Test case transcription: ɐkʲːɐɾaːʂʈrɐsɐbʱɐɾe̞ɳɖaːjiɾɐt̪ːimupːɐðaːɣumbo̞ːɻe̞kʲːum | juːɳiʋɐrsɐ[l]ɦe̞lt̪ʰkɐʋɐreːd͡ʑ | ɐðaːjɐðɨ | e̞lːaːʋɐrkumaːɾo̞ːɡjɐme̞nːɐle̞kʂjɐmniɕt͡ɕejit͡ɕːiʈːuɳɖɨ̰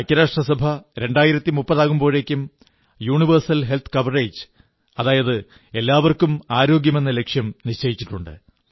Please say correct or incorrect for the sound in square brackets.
correct